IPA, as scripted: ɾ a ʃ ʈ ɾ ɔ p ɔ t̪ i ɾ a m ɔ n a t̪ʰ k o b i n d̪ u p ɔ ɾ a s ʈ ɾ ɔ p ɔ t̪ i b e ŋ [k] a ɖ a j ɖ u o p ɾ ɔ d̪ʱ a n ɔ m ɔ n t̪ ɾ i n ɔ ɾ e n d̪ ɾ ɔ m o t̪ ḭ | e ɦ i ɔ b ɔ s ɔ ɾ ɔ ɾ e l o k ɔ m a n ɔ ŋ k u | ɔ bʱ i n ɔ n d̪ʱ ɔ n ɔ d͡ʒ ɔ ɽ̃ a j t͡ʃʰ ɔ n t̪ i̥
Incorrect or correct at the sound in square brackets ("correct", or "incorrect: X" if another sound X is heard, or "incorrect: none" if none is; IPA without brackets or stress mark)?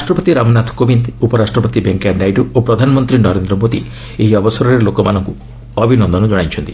correct